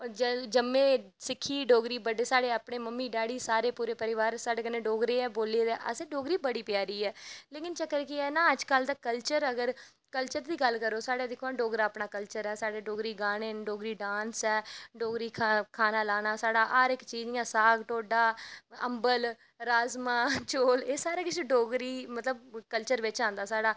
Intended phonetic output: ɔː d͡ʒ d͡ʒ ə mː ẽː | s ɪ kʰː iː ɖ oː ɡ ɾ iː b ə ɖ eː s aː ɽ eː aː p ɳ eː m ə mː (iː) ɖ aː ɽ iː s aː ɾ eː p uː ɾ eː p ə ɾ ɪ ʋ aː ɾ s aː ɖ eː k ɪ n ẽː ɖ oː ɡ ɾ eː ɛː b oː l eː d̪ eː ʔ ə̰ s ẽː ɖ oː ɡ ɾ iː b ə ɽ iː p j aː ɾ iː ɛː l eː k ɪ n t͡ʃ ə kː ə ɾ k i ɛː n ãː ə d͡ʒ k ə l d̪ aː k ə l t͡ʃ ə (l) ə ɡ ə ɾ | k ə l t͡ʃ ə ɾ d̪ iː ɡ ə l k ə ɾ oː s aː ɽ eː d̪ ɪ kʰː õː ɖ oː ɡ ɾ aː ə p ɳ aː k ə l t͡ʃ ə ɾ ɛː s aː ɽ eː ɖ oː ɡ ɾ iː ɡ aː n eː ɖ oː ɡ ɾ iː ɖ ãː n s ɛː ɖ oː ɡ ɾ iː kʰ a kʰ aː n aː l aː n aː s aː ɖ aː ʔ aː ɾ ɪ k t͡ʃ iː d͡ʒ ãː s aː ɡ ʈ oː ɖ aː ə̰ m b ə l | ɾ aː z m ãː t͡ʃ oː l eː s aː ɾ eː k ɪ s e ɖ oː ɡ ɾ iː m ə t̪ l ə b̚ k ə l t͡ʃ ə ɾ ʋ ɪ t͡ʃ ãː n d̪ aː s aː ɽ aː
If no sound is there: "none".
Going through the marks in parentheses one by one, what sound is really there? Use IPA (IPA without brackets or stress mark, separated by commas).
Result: iː, ɾ